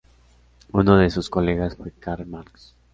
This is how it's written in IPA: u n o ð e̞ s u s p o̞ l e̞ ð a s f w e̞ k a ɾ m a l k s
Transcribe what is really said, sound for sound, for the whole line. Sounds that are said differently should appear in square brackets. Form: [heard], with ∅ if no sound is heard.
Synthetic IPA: u n o ð e̞ s u s [k] o̞ l e̞ [ɣ] a s f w e̞ k a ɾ m a [ɾ] k s